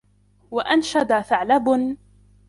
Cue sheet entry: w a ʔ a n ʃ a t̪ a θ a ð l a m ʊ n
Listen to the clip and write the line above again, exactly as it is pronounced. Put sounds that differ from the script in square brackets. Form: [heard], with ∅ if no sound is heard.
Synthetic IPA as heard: w a ʔ a n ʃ a [d̪] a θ a [ʕ] l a [b] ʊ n